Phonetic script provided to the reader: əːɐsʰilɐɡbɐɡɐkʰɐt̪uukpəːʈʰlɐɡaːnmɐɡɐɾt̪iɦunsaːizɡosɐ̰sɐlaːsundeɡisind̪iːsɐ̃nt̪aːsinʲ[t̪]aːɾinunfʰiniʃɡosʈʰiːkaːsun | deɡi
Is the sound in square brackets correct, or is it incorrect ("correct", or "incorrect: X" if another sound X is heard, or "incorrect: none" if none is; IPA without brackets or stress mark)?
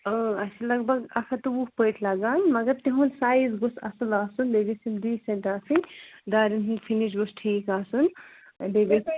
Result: incorrect: d̪